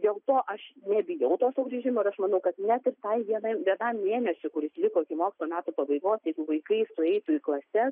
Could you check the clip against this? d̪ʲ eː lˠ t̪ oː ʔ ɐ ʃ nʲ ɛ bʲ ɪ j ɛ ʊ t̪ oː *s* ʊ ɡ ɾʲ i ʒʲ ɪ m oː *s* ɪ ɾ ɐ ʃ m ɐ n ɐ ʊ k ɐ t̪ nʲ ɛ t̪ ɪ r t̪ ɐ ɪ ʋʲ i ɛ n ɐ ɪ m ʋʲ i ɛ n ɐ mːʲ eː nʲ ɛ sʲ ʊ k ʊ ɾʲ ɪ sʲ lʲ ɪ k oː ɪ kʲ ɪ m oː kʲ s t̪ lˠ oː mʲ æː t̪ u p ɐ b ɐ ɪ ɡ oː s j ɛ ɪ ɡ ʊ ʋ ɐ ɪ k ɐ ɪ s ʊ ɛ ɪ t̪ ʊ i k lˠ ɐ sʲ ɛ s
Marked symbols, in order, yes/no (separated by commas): yes, no